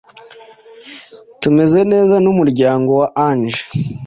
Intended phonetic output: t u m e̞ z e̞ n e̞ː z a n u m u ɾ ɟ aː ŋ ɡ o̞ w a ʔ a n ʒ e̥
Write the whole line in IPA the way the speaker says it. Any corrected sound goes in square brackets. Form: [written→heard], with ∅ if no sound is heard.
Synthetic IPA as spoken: t u m e̞ z e̞ n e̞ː z a n u m u ɾ ɟ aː ŋ ɡ o̞ w a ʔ a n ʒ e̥